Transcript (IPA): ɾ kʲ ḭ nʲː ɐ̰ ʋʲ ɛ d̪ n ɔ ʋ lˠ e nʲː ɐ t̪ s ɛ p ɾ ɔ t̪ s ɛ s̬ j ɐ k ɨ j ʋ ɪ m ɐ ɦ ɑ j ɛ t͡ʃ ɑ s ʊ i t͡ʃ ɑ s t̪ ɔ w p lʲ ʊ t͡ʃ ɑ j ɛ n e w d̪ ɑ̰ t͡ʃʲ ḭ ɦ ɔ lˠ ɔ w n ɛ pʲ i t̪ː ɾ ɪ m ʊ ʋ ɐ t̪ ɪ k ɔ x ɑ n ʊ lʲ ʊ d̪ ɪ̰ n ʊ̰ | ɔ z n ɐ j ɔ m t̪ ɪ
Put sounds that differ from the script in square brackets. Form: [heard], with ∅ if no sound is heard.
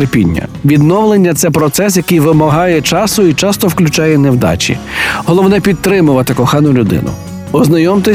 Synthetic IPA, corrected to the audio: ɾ [pʲ] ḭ nʲː ɐ̰ ʋʲ [i] d̪ n ɔ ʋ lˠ e nʲː ɐ t̪ s ɛ p ɾ ɔ t̪ s ɛ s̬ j ɐ k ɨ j ʋ ɪ m ɐ ɦ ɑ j ɛ t͡ʃ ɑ s ʊ i t͡ʃ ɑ s t̪ ɔ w [k] lʲ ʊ t͡ʃ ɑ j ɛ n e w d̪ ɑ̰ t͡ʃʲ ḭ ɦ ɔ lˠ ɔ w n ɛ pʲ i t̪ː ɾ ɪ m ʊ ʋ ɐ t̪ ɪ k ɔ x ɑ n ʊ lʲ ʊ d̪ ɪ̰ n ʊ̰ | ɔ z n ɐ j ɔ m t̪ ɪ